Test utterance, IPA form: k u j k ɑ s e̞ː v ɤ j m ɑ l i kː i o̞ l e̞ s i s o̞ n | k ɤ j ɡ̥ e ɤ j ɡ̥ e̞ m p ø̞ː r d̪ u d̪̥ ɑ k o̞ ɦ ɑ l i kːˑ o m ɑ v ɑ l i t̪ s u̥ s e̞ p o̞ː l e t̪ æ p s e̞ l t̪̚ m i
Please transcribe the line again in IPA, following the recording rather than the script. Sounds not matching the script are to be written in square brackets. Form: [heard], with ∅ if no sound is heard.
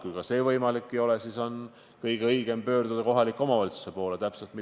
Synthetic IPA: k u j k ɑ s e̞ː v ɤ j m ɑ l i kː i o̞ l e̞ s i s o̞ n | k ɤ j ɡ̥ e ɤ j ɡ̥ e̞ m p ø̞ː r d̪ u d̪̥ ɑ k o̞ ɦ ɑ l i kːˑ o m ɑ v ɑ l i t̪ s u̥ s e̞ p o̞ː l e t̪ æ p s e̞ l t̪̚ m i